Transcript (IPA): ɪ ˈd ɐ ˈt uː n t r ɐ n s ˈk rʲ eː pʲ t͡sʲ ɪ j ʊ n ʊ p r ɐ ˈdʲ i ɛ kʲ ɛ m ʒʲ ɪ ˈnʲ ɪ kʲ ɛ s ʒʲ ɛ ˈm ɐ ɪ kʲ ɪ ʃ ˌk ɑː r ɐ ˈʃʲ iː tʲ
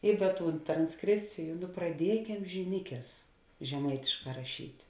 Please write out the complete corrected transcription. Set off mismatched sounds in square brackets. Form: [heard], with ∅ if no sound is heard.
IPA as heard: ɪ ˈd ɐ ˈt uː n t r ɐ n s ˈk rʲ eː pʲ t͡sʲ ɪ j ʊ n ʊ p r ɐ ˈdʲ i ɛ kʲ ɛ m ʒʲ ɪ ˈnʲ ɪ kʲ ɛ s ʒʲ ɛ ˈm ɐ ɪ [tʲ] ɪ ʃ ˌk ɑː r ɐ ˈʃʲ iː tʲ